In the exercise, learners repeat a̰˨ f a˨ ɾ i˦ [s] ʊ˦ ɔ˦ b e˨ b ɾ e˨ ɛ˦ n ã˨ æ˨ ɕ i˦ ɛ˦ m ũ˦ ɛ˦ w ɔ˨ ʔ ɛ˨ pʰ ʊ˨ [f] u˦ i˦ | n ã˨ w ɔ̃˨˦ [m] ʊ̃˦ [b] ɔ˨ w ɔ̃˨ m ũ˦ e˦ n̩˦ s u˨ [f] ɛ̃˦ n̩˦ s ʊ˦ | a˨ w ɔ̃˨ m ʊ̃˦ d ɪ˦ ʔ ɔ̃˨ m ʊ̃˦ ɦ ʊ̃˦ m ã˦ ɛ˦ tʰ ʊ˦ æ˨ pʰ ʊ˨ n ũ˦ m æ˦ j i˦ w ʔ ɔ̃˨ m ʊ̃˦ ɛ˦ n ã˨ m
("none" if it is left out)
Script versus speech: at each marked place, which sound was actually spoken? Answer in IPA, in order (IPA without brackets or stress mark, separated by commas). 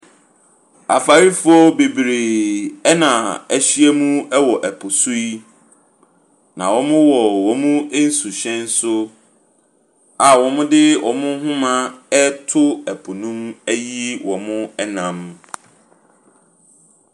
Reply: f, s, m, w, ɕ